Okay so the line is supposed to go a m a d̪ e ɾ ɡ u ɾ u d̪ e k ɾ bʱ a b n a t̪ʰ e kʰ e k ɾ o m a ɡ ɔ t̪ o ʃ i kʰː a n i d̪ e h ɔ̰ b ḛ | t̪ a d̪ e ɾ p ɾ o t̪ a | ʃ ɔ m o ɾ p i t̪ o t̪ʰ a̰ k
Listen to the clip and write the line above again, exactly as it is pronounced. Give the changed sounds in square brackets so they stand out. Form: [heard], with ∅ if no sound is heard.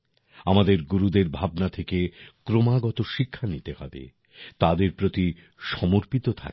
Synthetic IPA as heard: a m a d̪ e ɾ ɡ u ɾ u d̪ e [∅] ɾ bʱ a b n a t̪ʰ e [k] e k ɾ o m a ɡ ɔ t̪ o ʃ i kʰː a n i [t̪] e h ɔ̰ b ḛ | t̪ a d̪ e ɾ p ɾ o t̪ [i] | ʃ ɔ m o ɾ p i t̪ o t̪ʰ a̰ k

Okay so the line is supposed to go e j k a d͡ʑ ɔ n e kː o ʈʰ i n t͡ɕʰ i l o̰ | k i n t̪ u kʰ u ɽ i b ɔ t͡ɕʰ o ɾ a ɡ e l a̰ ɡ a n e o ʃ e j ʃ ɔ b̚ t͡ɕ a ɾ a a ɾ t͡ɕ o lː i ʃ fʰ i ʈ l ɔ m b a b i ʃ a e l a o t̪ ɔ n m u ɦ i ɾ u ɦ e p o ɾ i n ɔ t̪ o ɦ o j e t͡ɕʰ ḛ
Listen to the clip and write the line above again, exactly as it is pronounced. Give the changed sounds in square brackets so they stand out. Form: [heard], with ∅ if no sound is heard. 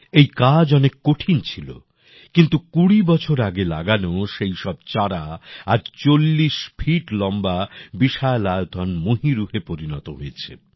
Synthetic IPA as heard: e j k a d͡ʑ ɔ n e kː o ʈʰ i n t͡ɕʰ i l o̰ | k i n t̪ u [k] u ɽ i b ɔ t͡ɕʰ o ɾ a ɡ e l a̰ ɡ a n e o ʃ e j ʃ ɔ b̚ t͡ɕ a ɾ a a ɾ t͡ɕ o lː i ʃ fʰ i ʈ l ɔ m b a b i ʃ a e l a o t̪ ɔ n m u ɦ i ɾ u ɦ e p o ɾ i n ɔ t̪ o ɦ o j e t͡ɕʰ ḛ

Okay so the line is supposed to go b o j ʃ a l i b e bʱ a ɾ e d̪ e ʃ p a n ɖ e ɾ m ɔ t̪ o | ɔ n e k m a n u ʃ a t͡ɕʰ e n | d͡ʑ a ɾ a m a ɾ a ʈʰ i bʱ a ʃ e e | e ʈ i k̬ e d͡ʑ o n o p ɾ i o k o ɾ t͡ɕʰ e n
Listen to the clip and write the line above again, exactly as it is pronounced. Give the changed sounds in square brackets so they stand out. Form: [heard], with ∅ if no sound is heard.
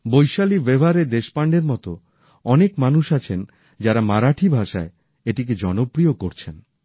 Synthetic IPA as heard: b o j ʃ a l i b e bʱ a ɾ e d̪ e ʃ p a [ɳ] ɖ e ɾ m ɔ t̪ o | ɔ n e k m a n u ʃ a t͡ɕʰ e n | d͡ʑ a ɾ a m a ɾ a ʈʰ i bʱ a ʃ [a] e | e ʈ i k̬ e d͡ʑ [ɔ] n o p ɾ i o k o ɾ t͡ɕʰ e n

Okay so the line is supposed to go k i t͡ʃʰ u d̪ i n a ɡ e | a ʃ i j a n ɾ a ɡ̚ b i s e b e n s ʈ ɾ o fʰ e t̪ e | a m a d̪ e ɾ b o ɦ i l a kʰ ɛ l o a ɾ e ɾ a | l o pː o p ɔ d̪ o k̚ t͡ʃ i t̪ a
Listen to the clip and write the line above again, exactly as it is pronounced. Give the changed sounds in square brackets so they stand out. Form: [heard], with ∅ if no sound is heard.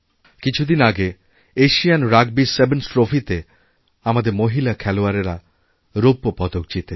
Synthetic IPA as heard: k i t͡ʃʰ u d̪ i n a ɡ e | [e] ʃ i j a n ɾ a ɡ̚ b i s e b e n s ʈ ɾ o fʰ [i] t̪ e | a m a d̪ e ɾ [m] o ɦ i l a kʰ ɛ l o a ɾ e ɾ a | [ɾ] o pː o p ɔ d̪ o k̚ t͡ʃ i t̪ [e]

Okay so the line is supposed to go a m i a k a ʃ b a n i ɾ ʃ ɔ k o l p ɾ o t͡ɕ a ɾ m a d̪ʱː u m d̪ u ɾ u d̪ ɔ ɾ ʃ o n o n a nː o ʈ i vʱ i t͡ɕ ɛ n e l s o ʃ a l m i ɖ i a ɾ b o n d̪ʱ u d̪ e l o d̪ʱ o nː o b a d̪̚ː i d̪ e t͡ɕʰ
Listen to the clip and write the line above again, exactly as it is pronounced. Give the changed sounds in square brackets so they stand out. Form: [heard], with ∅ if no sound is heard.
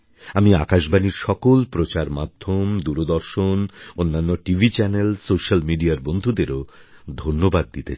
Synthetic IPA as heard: a m i a k a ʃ b a n i ɾ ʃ ɔ k o l p ɾ o t͡ɕ a ɾ m a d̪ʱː [o] m d̪ u ɾ [o] d̪ ɔ ɾ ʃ o n o [nː] a nː o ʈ i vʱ i t͡ɕ ɛ n e l s o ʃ a l m i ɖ i a ɾ b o n d̪ʱ u d̪ e [ɾ] o d̪ʱ o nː o b a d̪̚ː i [t̪] e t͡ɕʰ

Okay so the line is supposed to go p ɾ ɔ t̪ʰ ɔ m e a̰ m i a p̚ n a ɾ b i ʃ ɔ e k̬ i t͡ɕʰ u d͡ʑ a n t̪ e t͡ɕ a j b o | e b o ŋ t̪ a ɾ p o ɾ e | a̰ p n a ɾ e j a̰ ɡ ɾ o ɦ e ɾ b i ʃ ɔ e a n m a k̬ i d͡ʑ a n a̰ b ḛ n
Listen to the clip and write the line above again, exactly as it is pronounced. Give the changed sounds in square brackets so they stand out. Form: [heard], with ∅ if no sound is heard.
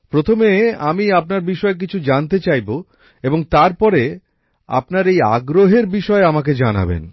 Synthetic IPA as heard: p ɾ [o] t̪ʰ [o] m e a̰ m i a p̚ n a ɾ b i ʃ ɔ e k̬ i t͡ɕʰ u d͡ʑ a n t̪ e t͡ɕ a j b o | e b o ŋ t̪ a ɾ p [ɔ] ɾ e | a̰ p n a ɾ e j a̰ ɡ ɾ o ɦ e ɾ b i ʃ ɔ e a [∅] m a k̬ [e] d͡ʑ a n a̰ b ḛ n

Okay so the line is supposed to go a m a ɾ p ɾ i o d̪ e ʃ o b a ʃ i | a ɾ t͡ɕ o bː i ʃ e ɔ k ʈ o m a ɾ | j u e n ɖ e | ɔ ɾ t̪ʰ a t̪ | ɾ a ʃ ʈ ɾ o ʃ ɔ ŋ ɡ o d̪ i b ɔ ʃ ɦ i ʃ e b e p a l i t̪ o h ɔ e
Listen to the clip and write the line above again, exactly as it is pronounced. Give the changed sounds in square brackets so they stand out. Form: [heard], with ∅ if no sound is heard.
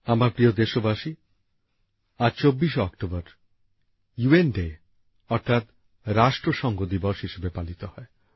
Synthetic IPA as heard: a m a ɾ p ɾ i o d̪ e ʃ o b a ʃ i | a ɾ t͡ɕ o bː i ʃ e ɔ k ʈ o [b] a ɾ | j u e n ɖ e | ɔ ɾ t̪ʰ a t̪ | ɾ a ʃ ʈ ɾ o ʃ ɔ ŋ ɡ o d̪ i b ɔ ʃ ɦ i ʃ e b e p a l i t̪ o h ɔ e

